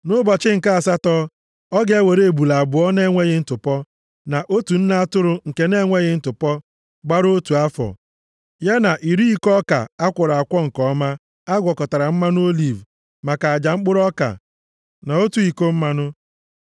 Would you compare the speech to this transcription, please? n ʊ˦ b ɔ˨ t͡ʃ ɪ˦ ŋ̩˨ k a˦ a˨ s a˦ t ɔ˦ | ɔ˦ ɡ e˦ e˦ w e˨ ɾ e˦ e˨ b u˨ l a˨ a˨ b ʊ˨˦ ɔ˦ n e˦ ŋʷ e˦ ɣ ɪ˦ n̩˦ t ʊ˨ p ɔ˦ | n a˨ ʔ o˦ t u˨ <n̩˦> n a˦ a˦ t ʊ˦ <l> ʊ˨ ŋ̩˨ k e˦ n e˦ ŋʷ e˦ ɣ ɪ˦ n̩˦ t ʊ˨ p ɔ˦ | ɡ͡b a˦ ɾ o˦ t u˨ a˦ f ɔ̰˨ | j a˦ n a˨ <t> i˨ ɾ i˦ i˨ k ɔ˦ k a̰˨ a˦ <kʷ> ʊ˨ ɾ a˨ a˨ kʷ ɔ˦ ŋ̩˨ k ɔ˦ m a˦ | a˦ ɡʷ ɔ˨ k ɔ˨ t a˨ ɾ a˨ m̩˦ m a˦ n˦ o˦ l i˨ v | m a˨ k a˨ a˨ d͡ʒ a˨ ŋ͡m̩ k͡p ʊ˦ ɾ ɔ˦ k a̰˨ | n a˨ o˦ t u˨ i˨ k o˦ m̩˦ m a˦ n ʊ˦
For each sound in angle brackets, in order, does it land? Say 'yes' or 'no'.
yes, no, no, yes

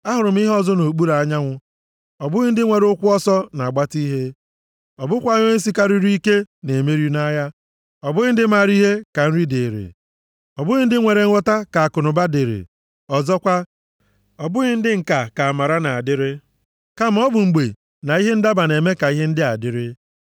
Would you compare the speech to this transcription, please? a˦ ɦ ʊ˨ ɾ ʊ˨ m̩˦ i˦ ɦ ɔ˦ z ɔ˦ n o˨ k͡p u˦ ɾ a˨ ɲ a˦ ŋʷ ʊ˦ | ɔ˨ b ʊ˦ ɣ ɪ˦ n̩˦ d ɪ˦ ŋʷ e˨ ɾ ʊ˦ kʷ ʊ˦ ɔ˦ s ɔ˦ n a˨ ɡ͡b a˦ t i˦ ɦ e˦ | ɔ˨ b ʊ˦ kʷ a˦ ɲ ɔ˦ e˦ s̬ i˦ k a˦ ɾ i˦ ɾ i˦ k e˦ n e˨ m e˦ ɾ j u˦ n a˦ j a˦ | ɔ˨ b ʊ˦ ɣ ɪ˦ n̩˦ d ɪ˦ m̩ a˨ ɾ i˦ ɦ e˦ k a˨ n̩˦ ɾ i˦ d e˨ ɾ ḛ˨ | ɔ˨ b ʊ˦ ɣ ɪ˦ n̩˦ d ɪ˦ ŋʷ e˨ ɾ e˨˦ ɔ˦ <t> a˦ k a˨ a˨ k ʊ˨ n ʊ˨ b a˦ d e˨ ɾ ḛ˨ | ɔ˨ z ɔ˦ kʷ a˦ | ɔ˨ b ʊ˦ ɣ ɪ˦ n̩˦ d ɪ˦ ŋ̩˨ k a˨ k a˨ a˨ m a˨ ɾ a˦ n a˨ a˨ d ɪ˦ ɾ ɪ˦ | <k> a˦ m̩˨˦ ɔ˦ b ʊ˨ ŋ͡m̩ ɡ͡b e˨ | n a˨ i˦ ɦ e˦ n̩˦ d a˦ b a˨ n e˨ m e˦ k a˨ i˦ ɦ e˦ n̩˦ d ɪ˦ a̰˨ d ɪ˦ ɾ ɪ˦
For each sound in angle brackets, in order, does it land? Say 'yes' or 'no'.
yes, yes

